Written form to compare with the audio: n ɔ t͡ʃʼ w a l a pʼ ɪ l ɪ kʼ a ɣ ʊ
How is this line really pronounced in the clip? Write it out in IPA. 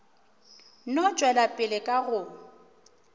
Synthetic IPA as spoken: n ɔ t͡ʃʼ w ɛ l a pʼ ɪ l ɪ kʼ a ɣ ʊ